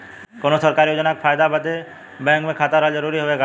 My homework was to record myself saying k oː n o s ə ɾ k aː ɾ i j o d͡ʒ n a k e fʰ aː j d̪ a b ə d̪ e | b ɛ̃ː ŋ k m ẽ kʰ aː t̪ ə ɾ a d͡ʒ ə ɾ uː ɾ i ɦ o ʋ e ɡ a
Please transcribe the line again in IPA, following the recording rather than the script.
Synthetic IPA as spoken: k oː n o s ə ɾ k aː ɾ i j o d͡ʒ n a k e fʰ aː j d̪ a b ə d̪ e | b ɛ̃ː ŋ k m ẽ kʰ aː t̪ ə ɾ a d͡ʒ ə ɾ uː ɾ i ɦ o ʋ e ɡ a